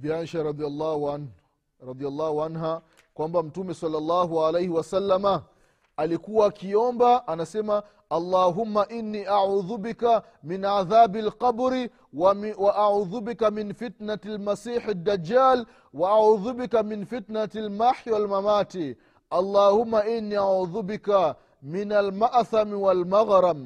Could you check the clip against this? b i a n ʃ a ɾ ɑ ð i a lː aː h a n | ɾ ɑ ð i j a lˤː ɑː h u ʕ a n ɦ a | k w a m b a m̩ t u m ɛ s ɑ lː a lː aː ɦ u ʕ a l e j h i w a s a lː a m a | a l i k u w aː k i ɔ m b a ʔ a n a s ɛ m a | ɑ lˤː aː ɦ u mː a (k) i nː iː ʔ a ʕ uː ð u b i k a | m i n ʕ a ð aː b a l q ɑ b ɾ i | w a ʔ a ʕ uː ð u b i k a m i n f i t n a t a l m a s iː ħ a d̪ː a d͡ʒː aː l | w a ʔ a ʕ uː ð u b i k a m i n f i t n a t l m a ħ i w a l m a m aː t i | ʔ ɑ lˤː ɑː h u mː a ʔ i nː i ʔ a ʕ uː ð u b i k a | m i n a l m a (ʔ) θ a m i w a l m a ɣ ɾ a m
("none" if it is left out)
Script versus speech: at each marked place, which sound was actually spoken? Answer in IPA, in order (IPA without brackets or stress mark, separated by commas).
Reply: ʔ, ʔ